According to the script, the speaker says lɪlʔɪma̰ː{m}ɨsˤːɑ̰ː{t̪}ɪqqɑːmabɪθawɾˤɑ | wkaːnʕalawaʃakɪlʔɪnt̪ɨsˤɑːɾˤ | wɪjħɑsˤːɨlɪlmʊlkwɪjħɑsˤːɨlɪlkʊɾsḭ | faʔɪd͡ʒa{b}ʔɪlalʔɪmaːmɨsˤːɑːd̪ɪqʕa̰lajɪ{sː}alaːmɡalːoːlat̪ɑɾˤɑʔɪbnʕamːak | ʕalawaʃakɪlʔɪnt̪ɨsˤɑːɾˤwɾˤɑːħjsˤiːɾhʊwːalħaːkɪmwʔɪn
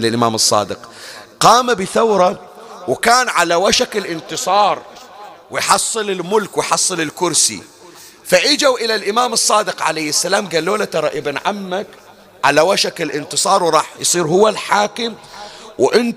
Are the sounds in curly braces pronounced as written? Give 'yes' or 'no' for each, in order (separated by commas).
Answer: yes, no, no, yes